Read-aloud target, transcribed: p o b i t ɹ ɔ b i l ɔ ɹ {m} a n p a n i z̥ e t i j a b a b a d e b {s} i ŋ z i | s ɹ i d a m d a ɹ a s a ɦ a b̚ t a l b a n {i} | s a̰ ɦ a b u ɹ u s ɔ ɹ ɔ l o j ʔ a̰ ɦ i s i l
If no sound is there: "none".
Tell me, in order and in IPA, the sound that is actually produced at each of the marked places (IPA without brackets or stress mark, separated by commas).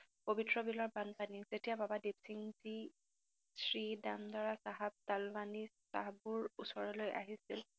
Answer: b, s, i